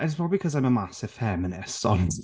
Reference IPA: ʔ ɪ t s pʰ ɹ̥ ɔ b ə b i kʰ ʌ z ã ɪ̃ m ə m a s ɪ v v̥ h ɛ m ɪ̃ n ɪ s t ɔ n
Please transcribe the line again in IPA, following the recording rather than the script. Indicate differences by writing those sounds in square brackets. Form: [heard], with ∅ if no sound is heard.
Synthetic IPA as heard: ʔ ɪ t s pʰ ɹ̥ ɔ b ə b i kʰ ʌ z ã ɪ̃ m ə m a s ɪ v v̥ [f] ɛ m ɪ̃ n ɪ s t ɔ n